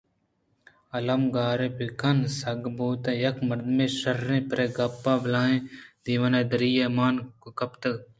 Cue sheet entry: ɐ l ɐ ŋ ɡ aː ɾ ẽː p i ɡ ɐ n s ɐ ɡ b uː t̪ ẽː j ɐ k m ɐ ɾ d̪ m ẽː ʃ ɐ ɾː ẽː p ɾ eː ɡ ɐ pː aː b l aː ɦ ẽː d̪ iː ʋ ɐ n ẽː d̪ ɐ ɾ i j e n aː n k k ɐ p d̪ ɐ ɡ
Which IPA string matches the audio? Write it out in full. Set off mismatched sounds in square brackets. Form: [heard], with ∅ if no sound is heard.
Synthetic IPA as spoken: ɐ l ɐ [m] ɡ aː ɾ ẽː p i [k] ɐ n s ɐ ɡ b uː t̪ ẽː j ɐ k m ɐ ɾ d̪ m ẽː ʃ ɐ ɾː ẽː p ɾ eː ɡ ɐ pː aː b l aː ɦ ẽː d̪ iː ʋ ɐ n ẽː d̪ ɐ ɾ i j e [m] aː n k k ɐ p [t̪] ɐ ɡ